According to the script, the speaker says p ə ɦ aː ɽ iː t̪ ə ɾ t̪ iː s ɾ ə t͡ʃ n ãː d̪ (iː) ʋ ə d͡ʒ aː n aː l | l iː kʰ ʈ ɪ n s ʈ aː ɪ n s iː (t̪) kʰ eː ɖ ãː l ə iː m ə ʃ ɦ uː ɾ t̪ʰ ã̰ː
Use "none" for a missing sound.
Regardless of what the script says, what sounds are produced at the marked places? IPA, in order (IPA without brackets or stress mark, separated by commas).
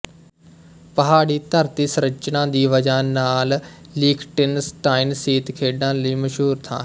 iː, t̪